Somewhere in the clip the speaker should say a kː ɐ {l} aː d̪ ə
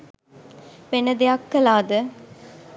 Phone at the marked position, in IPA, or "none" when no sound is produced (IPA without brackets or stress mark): l